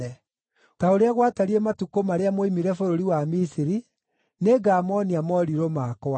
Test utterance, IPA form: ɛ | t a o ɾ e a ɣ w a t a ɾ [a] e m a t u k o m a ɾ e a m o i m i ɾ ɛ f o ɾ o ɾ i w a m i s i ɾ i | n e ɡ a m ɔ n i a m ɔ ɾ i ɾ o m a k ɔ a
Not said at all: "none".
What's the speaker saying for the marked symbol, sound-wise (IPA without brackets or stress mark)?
i